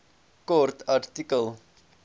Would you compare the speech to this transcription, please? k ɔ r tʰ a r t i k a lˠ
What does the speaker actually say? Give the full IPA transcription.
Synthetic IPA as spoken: k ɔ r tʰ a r t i k ə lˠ